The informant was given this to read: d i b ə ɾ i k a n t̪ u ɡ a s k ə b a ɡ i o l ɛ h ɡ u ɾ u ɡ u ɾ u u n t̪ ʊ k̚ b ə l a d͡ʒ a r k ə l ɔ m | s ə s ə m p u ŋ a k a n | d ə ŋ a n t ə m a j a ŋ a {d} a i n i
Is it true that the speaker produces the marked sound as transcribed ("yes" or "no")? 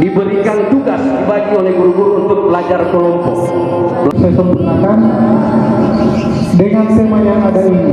yes